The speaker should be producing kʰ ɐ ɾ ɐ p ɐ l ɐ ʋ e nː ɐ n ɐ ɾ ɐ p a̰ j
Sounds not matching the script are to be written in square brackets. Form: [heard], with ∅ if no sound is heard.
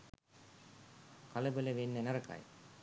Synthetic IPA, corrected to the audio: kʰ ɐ [l] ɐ [b] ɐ l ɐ ʋ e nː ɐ n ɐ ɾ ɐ [k] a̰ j